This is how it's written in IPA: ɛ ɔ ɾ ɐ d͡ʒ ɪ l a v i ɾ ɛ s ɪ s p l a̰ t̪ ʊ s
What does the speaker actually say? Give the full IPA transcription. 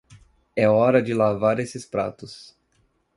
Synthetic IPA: ɛ ɔ ɾ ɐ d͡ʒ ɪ l a v a ɾ e s ɪ s p ɾ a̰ t̪ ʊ s